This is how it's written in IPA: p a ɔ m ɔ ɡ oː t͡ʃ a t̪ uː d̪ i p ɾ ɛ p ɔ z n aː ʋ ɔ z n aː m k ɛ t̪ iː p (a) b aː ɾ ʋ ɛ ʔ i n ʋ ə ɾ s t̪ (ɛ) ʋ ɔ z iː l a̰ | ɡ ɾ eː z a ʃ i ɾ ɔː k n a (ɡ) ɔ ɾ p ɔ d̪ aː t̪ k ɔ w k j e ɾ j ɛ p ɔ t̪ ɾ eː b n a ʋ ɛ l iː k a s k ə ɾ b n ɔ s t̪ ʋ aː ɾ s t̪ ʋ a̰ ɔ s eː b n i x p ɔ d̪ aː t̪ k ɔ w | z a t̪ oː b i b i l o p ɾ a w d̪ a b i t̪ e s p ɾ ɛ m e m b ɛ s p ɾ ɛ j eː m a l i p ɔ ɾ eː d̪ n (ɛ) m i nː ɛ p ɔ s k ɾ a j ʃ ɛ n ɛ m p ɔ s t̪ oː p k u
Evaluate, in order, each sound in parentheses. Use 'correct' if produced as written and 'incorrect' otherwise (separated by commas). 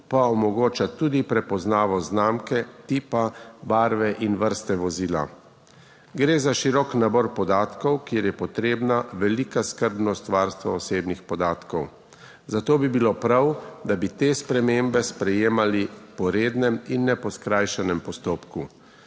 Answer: correct, correct, incorrect, correct